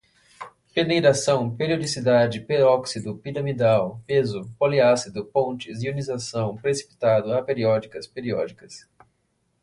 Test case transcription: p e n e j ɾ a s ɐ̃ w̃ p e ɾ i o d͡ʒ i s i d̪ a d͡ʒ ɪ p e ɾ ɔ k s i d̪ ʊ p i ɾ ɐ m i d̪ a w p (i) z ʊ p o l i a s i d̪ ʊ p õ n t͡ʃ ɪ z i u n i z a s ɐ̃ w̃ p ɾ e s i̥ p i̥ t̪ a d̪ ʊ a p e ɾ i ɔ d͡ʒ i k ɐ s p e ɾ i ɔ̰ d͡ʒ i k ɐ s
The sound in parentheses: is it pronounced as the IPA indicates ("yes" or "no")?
no